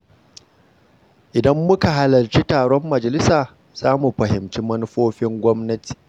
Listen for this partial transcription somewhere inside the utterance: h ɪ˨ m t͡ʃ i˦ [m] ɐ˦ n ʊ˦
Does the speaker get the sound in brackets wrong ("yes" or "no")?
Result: no